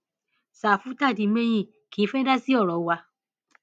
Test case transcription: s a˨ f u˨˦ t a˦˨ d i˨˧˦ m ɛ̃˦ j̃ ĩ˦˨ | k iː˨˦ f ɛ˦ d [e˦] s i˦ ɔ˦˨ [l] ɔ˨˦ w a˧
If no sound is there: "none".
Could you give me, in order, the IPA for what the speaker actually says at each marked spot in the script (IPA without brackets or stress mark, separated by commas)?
a˦, ɾ